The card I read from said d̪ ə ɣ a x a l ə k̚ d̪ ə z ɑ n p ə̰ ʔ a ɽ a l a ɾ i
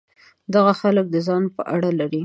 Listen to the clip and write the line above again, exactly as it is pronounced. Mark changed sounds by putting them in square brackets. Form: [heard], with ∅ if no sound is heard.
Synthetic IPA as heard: d̪ [a] ɣ a x a l ə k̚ d̪ ə z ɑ n p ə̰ ʔ a ɽ a l a ɾ i